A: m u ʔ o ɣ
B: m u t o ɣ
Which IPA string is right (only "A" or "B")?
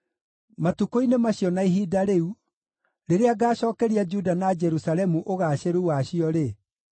A